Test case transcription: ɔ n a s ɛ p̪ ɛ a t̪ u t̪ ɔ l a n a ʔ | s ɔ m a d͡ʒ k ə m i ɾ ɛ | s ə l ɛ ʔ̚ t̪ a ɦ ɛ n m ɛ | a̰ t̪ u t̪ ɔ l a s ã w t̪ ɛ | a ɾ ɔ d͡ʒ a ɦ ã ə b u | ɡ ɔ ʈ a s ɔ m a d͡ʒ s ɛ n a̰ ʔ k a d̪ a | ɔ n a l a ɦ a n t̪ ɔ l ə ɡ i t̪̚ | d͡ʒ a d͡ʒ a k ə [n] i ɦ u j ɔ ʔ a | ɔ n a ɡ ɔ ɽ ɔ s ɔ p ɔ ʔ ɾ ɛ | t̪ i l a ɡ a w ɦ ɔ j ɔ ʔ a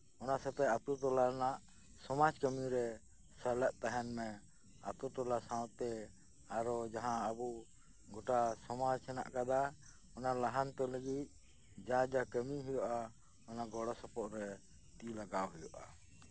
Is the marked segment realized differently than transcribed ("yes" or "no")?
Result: yes